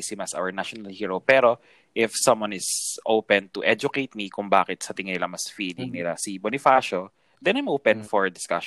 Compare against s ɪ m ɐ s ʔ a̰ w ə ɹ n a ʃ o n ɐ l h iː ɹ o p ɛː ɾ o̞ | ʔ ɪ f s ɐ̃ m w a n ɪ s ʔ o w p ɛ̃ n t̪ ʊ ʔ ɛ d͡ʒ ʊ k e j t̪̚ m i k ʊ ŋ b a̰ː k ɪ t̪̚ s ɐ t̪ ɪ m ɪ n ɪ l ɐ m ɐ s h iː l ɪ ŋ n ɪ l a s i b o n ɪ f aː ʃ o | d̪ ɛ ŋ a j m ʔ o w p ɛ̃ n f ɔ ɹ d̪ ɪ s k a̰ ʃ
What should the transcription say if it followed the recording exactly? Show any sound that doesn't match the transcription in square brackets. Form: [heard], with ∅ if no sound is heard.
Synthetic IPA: s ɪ m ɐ s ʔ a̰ w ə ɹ n a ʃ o n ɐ l h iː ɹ o p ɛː ɾ o̞ | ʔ ɪ f s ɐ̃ m w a n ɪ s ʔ o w p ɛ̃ n t̪ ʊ ʔ ɛ d͡ʒ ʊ k e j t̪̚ m i k ʊ ŋ b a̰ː k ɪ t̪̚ s ɐ t̪ ɪ [ŋ] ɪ n ɪ l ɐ m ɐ s [f] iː l ɪ ŋ n ɪ l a s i b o n ɪ f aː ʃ o | d̪ ɛ [n] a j m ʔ o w p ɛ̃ n f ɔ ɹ d̪ ɪ s k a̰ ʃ